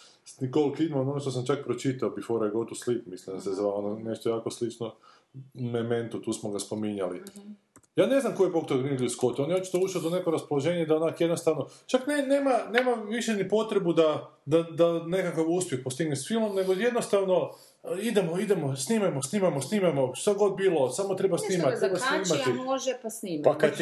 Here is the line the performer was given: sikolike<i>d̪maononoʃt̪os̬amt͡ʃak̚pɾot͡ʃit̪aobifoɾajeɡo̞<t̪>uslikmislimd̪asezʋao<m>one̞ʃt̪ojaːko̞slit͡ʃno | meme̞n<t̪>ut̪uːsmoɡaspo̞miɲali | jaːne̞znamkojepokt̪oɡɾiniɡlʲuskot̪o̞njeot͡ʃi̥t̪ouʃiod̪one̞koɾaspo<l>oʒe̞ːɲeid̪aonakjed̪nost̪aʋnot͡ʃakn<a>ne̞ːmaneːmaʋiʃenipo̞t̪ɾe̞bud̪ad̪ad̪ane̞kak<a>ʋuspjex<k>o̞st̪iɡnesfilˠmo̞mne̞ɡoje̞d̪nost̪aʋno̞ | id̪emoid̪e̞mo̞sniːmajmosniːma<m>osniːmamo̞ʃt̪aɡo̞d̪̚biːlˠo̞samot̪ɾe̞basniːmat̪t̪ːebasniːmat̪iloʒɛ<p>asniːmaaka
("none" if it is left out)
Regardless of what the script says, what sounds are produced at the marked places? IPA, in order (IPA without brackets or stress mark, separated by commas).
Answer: i, t̪, n, t̪, l, e, a, p, m, p